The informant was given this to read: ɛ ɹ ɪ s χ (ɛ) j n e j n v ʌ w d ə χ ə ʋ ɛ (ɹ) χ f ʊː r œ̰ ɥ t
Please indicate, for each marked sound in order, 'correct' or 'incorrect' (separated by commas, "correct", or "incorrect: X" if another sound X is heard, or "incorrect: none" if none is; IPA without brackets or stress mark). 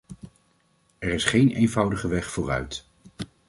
incorrect: e, incorrect: none